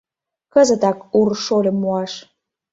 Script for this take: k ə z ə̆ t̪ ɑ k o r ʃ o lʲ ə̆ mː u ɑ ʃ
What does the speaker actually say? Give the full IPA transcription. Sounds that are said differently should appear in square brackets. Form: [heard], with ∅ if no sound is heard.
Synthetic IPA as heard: k ə z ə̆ t̪ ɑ k [u] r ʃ o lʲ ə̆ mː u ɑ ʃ

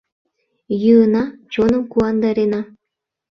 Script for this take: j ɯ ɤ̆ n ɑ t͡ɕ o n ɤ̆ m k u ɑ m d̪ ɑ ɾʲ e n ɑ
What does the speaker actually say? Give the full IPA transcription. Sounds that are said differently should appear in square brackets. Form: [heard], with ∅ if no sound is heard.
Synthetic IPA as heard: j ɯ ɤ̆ n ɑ t͡ɕ o n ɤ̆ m k u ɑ [n] d̪ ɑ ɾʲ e n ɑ

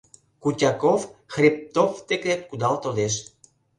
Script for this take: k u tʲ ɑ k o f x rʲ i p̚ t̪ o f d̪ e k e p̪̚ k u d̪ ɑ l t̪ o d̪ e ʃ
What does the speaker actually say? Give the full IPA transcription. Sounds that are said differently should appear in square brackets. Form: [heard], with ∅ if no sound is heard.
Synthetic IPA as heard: k u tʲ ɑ k o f x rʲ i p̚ t̪ o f [t̪] e k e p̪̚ k u d̪ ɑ l t̪ o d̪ e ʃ

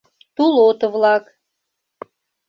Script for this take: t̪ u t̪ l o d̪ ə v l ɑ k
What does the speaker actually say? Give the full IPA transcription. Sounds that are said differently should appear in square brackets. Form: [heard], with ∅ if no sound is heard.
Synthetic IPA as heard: t̪ u [∅] l o [t̪] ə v l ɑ k

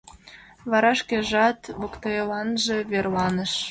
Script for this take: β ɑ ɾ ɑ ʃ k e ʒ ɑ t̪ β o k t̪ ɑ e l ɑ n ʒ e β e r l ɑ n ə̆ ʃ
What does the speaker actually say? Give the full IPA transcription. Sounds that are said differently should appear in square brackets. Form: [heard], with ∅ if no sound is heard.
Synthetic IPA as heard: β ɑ ɾ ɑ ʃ k e ʒ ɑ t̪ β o k t̪ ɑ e l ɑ n ʒ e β e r l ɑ n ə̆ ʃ

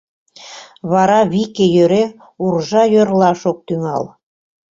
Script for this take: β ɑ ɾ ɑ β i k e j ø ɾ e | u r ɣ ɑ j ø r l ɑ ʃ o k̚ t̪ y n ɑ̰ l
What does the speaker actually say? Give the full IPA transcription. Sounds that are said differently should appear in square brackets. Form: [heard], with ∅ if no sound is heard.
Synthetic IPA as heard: β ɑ ɾ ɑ β i k e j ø ɾ e | u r [ʒ] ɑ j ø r l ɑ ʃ o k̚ t̪ y [ŋ] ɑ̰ l

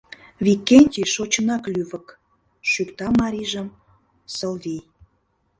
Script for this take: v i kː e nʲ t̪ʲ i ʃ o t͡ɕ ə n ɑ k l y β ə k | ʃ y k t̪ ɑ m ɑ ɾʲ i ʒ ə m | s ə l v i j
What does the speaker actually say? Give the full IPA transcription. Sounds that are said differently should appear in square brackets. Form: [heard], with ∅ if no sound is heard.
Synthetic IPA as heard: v i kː e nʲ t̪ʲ i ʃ o t͡ɕ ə n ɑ k l y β ə k | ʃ y k t̪ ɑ m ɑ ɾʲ i ʒ ə m | s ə l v i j

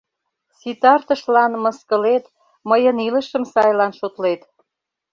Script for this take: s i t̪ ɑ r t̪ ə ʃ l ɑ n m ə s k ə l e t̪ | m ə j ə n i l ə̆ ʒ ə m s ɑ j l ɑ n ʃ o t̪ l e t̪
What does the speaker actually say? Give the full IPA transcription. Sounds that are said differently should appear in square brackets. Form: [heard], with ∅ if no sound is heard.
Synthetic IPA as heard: s i t̪ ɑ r t̪ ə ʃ l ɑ n m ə s k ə l e t̪ | m ə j ə n i l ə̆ [ʃ] ə m s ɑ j l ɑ n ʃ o t̪ l e t̪

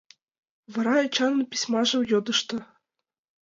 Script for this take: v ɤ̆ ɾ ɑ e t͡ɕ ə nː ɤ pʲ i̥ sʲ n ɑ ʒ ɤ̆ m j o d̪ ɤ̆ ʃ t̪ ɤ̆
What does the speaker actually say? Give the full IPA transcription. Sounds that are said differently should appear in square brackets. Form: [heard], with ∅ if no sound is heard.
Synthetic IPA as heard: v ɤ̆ ɾ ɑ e t͡ɕ [ɑ] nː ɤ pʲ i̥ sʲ [m] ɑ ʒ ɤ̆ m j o d̪ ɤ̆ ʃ t̪ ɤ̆

